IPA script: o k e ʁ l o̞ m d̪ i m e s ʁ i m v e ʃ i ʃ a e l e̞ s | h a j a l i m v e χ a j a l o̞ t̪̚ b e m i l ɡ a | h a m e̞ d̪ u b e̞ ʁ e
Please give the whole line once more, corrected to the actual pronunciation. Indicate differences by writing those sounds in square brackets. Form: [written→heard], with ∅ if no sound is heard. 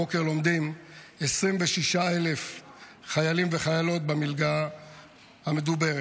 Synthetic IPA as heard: o k e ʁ l o̞ m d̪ i m e s ʁ i m v e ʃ i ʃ a e l e̞ [s→f] | [h→χ] a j a l i m v e χ a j a l o̞ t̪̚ b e m i l ɡ a | h a m e̞ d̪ u b e̞ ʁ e